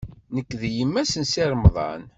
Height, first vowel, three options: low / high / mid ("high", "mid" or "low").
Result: mid